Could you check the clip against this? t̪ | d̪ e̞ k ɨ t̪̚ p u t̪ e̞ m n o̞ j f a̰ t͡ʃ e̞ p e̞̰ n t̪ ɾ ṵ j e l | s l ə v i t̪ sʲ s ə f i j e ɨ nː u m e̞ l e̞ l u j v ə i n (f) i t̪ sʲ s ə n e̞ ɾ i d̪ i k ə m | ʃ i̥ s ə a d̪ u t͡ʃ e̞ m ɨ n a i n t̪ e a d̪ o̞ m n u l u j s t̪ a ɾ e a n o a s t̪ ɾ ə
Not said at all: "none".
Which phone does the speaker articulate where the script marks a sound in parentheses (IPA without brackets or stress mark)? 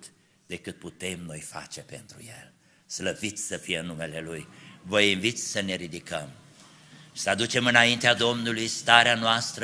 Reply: v